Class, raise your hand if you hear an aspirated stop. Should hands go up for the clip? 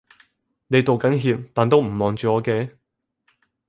no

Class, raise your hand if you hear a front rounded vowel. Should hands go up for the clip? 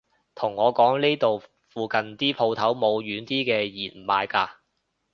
yes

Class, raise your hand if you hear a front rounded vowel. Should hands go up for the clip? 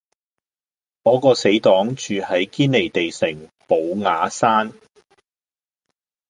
yes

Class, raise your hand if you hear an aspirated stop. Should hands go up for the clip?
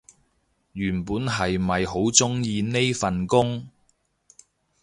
no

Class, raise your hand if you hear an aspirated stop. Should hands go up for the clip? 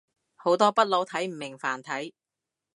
yes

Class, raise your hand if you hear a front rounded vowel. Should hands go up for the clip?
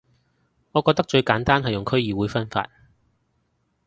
no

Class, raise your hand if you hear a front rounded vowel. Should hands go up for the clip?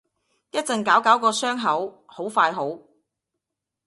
yes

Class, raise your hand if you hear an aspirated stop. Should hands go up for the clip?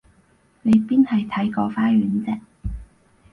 yes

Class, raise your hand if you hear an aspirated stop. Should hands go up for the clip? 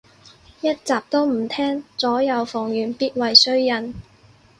yes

